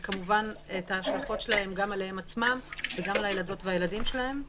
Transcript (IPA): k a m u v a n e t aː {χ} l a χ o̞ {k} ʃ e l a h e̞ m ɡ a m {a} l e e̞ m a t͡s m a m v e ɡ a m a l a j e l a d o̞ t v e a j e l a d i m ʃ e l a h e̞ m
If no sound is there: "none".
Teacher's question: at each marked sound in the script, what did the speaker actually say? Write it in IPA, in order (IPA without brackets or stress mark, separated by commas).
ʃ, t, a